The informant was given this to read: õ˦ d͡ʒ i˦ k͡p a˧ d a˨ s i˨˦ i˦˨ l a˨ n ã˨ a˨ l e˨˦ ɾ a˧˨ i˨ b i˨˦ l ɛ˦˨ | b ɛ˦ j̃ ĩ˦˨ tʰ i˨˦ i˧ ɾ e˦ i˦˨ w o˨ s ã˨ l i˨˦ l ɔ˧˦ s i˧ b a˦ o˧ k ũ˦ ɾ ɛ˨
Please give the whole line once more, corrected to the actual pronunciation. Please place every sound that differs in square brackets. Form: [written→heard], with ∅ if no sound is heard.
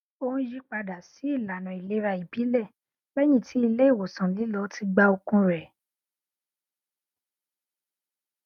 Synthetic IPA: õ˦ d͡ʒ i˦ k͡p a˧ d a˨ s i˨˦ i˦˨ l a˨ n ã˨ [a˨→i˨] l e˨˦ ɾ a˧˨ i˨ b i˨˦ l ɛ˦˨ | b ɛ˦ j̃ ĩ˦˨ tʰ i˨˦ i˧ [ɾ→l] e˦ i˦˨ w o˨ s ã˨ l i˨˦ l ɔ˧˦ [s→t] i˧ [b→ɡ͡b] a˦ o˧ k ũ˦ ɾ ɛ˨